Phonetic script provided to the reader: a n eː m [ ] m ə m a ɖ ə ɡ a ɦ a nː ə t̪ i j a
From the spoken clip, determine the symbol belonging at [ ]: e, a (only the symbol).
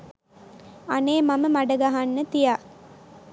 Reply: a